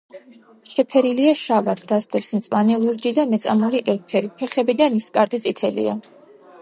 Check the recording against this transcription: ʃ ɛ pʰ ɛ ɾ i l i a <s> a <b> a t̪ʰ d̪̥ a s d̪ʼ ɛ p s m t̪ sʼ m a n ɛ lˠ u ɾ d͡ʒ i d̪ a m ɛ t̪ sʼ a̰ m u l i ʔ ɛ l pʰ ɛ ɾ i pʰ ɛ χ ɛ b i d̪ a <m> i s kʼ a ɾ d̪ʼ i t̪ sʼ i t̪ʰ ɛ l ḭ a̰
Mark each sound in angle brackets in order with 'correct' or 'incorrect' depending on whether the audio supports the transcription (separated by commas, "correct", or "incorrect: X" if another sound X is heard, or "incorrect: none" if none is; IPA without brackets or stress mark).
incorrect: ʃ, incorrect: v, incorrect: n